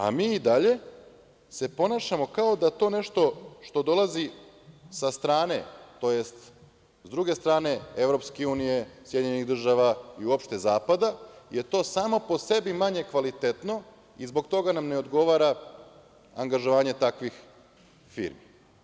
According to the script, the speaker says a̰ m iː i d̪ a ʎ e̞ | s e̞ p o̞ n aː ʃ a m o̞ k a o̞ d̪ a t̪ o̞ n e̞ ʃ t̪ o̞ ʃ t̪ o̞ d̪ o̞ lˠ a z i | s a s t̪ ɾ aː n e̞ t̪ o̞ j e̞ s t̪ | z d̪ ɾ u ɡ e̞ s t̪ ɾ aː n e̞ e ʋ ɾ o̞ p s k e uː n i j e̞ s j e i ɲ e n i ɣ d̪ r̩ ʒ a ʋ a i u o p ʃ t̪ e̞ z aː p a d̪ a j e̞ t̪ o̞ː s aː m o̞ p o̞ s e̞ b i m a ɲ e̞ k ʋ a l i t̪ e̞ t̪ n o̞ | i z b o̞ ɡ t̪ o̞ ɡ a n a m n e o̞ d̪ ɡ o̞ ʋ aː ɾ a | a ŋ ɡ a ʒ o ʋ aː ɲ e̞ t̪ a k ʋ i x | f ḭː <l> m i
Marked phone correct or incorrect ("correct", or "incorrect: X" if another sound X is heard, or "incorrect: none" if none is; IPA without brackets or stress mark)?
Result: incorrect: ɾ